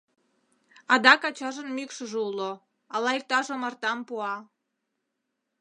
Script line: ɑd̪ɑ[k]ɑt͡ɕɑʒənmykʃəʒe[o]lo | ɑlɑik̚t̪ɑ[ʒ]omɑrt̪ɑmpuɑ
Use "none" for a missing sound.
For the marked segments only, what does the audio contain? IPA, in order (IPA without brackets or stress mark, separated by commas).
k, u, ʒ